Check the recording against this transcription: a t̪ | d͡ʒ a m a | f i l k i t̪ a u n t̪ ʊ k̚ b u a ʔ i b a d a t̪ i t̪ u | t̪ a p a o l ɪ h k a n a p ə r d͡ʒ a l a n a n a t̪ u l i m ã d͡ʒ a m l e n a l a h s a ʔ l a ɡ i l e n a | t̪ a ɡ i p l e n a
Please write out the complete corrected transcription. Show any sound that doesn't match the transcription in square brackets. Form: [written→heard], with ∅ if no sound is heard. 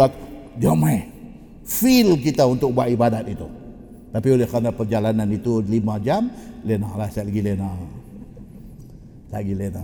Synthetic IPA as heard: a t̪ | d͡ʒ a m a | f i l k i t̪ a u n t̪ ʊ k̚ b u a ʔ i b a d a t̪ i t̪ u | t̪ a p [a→i] o l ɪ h k a n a p ə r d͡ʒ a l a n a n [a→i] t̪ u l i m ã d͡ʒ a m l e n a l a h s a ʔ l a ɡ i l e n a | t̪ a ɡ i [p→∅] l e n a